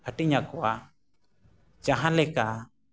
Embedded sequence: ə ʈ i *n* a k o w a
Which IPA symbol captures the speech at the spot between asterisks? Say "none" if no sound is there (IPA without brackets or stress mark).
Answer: ɲ